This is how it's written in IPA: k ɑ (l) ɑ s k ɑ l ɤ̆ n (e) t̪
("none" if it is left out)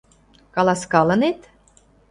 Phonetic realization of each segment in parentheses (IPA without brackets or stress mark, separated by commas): l, e